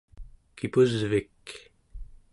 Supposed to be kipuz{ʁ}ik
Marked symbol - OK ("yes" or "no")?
no